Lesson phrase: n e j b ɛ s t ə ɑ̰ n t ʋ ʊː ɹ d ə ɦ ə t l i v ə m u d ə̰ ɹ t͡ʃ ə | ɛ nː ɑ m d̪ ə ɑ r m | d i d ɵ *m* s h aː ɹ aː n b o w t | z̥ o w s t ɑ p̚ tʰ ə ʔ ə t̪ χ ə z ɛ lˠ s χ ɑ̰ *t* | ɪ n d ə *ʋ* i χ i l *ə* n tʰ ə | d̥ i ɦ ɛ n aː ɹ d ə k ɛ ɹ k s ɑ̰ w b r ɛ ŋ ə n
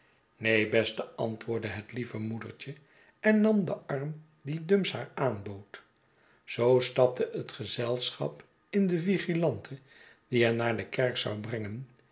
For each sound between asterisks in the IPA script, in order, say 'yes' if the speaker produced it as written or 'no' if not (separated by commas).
yes, no, no, no